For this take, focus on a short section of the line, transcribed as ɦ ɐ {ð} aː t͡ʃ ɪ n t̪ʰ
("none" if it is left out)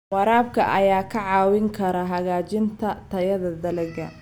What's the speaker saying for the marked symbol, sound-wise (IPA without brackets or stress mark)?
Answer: ɣ